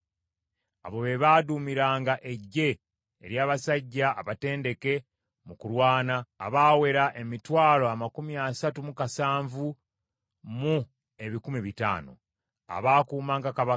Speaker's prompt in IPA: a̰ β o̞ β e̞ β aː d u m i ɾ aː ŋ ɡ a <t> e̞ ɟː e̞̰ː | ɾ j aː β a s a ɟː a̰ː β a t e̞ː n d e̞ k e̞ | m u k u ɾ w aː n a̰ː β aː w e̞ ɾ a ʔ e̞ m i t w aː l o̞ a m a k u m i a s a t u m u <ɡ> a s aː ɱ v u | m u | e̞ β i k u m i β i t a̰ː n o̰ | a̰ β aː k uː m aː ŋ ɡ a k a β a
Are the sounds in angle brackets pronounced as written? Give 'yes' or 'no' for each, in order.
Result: no, no

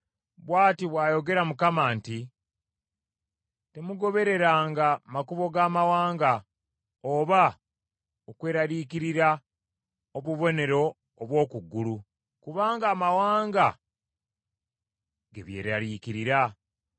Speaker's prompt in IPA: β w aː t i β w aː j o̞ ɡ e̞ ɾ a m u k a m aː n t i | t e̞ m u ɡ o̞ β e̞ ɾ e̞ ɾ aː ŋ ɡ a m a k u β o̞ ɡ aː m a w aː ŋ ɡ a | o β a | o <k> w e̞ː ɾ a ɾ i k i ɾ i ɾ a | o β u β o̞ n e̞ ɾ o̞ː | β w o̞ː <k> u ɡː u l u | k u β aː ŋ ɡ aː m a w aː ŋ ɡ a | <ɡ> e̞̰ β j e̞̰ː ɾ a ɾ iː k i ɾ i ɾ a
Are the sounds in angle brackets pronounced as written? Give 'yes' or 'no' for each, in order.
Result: yes, yes, yes

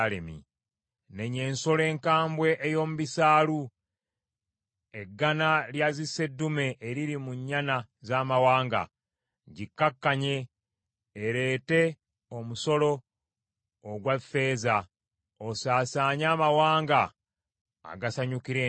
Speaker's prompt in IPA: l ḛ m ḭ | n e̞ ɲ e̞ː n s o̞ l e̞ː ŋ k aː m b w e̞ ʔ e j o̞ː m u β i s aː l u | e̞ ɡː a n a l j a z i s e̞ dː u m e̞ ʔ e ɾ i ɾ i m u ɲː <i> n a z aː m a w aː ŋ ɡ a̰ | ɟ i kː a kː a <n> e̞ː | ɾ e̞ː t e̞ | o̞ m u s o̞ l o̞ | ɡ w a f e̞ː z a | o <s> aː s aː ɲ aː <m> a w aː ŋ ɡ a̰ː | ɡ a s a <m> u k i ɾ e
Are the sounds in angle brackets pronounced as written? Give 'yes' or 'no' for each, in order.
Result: no, no, yes, yes, no

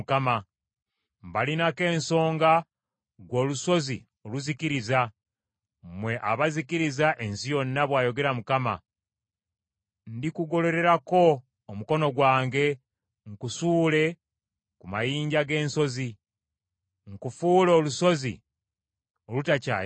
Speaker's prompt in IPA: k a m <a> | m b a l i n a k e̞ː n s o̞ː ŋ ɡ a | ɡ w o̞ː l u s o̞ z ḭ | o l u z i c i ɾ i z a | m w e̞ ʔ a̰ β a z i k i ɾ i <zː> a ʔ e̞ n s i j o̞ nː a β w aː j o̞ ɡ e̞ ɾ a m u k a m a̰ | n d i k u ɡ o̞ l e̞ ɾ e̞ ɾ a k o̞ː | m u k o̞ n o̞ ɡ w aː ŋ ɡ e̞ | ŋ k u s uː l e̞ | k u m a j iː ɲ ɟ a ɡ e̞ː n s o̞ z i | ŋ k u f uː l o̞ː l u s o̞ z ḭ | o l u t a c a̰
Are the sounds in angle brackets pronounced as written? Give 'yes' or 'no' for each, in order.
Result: yes, no

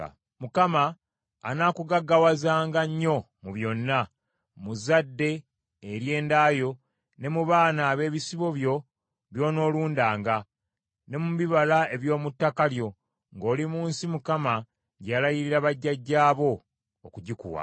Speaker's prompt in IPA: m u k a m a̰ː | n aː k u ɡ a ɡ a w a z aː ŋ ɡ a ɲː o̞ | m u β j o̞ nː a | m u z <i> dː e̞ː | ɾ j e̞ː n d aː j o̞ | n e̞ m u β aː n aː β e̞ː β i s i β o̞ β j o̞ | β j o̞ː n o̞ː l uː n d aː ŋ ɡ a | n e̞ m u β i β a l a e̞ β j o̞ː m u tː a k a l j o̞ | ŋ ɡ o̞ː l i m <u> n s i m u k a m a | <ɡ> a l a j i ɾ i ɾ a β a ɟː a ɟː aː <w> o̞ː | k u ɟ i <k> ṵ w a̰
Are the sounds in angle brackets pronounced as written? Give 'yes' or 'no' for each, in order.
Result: no, no, no, no, yes

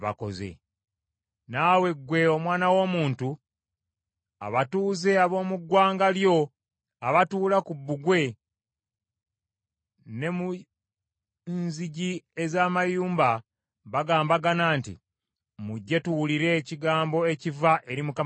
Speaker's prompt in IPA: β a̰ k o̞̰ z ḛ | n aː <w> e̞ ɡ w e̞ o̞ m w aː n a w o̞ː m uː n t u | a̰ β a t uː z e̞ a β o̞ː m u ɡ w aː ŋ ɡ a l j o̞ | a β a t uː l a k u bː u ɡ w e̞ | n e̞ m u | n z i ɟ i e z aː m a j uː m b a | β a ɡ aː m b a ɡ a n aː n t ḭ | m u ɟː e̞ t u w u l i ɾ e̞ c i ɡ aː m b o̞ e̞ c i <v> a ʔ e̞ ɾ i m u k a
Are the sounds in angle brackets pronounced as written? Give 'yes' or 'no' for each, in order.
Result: yes, yes

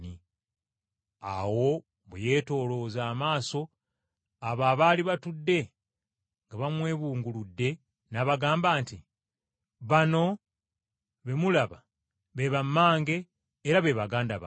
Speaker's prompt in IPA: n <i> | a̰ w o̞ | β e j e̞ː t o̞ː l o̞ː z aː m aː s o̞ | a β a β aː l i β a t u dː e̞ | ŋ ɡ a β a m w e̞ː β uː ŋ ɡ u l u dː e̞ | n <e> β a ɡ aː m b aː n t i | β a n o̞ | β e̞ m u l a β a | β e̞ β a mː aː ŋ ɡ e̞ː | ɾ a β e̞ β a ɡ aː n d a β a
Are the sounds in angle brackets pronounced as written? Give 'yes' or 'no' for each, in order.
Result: yes, no

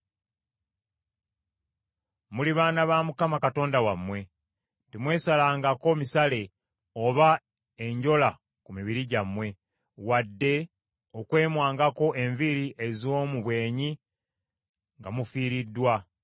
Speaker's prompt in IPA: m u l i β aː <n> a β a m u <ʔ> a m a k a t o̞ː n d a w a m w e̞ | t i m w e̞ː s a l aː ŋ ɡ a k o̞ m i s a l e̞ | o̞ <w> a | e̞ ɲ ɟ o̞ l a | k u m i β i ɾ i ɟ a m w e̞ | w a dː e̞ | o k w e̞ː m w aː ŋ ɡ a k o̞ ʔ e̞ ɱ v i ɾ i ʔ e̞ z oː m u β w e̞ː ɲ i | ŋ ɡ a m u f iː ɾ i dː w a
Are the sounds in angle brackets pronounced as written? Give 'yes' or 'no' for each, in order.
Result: yes, no, no

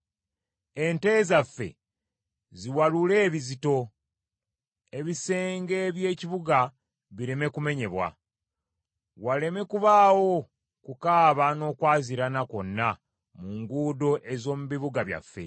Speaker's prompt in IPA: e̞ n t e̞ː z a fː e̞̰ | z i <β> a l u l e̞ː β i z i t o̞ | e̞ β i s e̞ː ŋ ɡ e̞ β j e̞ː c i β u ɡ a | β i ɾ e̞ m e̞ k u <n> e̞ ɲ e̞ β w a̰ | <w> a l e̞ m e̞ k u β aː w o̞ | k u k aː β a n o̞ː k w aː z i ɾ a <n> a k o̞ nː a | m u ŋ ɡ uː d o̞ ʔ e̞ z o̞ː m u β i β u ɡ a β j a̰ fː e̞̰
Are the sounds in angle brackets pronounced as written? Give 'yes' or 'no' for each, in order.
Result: no, no, yes, yes

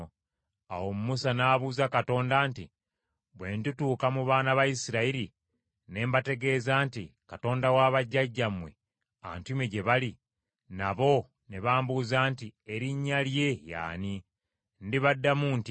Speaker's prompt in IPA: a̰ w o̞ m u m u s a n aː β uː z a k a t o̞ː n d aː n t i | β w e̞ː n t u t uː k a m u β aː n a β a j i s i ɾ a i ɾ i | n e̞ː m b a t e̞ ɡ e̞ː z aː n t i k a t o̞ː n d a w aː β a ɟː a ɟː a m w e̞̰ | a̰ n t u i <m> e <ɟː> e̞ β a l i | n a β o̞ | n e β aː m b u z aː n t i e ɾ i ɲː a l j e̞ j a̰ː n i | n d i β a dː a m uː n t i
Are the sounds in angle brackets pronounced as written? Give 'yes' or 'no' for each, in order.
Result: yes, no

